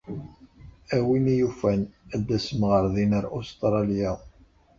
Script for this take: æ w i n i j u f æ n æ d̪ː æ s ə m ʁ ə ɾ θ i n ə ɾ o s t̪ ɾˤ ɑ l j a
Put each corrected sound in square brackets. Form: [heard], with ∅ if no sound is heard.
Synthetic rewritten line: æ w i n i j u f æ n æ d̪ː æ s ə m ʁ ə ɾ [ð] i n ə ɾ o s t̪ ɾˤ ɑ l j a